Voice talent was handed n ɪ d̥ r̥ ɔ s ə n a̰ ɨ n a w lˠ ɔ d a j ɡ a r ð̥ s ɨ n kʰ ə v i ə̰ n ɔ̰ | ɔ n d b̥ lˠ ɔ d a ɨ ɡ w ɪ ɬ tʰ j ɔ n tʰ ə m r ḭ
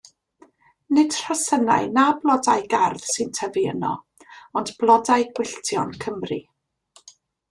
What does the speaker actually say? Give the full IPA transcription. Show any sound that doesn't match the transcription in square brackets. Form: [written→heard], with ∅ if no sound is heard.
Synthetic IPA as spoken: n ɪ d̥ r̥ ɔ s ə n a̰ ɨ n a [w→b] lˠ ɔ d a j ɡ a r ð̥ s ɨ n [kʰ→tʰ] ə v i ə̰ n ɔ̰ | ɔ n d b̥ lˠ ɔ d a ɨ ɡ w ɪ ɬ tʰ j ɔ n [tʰ→kʰ] ə m r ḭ